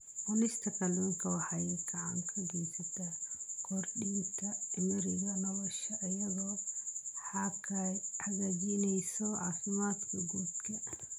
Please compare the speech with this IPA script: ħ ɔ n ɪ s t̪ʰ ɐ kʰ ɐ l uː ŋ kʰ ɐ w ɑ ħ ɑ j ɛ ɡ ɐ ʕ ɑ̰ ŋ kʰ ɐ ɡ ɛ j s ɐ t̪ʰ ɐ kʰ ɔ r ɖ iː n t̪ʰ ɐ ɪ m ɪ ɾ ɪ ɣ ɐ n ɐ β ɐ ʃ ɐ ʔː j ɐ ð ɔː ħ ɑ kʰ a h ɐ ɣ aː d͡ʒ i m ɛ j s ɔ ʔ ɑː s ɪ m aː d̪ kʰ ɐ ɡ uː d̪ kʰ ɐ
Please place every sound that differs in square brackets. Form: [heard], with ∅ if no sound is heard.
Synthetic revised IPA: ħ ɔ n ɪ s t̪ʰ ɐ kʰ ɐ l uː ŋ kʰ ɐ w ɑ ħ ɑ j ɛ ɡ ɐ ʕ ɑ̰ ŋ kʰ ɐ ɡ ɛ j s ɐ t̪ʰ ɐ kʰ ɔ r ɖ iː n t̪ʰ ɐ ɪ m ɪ ɾ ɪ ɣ ɐ n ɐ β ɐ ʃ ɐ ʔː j ɐ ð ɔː ħ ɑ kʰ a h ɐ ɣ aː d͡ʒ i [n] ɛ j s ɔ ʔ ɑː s ɪ m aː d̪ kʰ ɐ ɡ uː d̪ kʰ ɐ